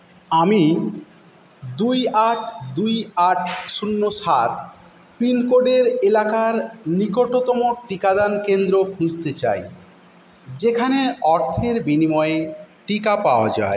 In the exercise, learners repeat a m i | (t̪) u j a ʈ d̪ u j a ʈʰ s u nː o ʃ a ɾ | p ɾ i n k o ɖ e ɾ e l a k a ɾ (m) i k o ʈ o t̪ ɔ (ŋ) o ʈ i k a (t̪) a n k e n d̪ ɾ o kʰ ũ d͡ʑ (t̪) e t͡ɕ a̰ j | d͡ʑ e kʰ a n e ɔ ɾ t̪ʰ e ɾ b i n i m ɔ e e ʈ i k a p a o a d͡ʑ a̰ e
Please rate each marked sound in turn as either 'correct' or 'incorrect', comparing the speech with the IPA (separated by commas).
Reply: incorrect, incorrect, incorrect, incorrect, correct